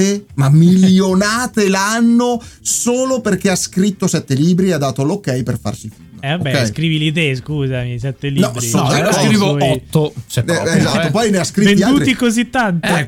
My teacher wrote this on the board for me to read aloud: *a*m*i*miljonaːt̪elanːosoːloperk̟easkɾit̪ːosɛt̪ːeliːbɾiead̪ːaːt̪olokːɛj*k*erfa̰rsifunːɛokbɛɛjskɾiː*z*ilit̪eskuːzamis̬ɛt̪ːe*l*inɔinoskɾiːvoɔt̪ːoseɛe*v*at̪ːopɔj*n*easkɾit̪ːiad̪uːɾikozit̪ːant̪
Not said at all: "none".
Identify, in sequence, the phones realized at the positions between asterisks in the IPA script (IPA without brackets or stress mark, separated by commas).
e, a, p, v, l, z, n